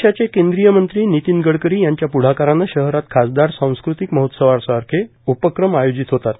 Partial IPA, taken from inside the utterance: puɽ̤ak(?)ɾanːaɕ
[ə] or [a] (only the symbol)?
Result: a